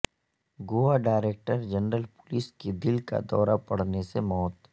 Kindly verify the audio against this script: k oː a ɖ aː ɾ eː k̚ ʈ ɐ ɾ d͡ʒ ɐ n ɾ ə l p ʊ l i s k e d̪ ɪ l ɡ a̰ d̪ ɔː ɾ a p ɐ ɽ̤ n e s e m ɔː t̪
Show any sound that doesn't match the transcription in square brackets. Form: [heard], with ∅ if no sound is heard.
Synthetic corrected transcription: [ɡ] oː a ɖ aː ɾ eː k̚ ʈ [ə] ɾ d͡ʒ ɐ n ɾ ə l p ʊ l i s k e d̪ ɪ l [k] a̰ d̪ ɔː ɾ a p ɐ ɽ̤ n e s e m ɔː t̪